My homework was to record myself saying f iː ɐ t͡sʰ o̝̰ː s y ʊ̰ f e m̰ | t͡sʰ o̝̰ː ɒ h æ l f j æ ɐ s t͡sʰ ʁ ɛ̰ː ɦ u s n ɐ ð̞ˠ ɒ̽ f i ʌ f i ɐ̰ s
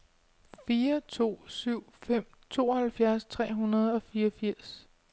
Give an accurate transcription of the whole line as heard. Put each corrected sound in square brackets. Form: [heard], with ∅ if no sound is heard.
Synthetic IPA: f iː ɐ t͡sʰ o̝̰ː s y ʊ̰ f e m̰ | t͡sʰ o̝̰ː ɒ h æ l f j æ ɐ s t͡sʰ ʁ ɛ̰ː ɦ u [∅] n ɐ ð̞ˠ ɒ̽ f [iː] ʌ f i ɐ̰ s